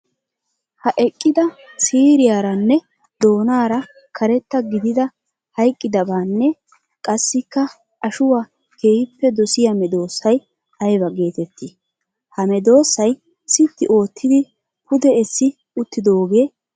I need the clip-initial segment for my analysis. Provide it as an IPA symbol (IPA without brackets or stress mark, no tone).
h